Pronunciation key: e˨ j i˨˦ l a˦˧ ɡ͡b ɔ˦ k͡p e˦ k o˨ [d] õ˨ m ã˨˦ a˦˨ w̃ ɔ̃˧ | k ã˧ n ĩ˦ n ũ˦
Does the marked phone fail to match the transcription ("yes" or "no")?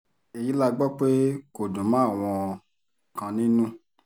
no